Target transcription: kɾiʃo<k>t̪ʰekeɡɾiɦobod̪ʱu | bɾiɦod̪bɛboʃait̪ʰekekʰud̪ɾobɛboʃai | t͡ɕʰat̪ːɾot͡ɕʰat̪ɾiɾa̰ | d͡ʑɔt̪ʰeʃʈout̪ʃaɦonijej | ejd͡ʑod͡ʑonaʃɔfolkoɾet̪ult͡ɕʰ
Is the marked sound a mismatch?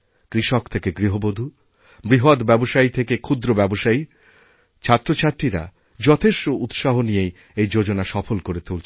no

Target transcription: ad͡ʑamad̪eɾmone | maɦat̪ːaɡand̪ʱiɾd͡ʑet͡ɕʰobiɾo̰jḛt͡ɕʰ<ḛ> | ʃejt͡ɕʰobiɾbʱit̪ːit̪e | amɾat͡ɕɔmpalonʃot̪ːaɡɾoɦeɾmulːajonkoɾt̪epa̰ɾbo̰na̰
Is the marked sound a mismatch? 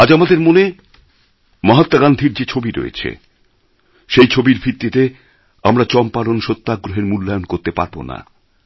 no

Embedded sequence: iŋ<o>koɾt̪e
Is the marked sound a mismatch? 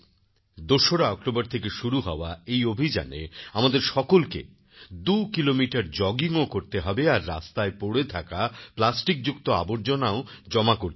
no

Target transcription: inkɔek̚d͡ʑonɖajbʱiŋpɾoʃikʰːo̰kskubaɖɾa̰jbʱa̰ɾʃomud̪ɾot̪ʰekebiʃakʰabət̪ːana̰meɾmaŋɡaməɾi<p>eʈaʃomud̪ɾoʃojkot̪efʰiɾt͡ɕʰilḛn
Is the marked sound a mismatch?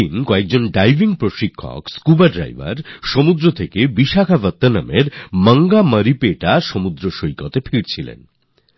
no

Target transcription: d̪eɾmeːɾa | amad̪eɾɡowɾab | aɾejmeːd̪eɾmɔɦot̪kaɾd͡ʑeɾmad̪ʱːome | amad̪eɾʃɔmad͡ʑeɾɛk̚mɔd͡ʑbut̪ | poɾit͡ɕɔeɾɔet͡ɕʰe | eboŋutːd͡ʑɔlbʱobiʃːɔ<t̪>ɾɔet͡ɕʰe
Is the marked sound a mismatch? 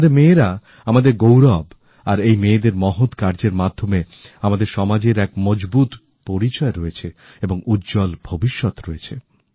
no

